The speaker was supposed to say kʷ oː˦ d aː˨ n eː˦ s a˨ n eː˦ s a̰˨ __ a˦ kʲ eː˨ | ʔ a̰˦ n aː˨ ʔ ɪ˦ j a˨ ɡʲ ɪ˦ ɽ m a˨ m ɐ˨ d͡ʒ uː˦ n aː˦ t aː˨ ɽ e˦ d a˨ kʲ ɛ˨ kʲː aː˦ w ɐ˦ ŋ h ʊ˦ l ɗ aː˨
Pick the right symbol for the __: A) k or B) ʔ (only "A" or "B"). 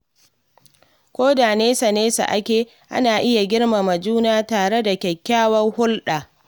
B